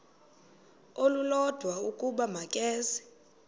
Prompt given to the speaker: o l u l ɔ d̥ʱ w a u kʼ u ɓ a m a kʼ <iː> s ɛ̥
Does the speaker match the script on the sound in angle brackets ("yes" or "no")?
no